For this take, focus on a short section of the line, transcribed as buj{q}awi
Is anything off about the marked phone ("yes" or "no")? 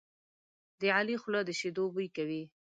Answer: yes